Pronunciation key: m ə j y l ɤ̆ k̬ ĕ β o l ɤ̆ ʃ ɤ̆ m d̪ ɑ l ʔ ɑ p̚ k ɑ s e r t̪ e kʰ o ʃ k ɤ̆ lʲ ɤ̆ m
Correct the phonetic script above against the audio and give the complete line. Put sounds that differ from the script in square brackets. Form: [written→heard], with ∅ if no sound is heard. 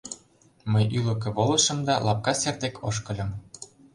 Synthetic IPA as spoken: m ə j y l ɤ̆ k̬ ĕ β o l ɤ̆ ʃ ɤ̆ m d̪ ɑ l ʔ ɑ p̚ k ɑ s e r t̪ e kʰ o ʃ k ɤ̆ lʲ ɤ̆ m